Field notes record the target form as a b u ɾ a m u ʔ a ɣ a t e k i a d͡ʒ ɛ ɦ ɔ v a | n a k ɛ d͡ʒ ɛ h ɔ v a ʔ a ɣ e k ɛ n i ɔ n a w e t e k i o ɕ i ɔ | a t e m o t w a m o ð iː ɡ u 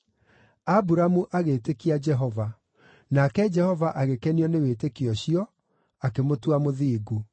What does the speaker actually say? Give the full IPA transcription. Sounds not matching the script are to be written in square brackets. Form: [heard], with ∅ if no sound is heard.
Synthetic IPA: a b u ɾ a m u ʔ a ɣ [e] t e k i a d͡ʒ ɛ ɦ ɔ v a | n a k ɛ d͡ʒ ɛ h ɔ v a ʔ a ɣ e k ɛ n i ɔ n [e] w e t e k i [ɔ] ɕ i ɔ | a [k] e m o t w a m o ð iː ɡ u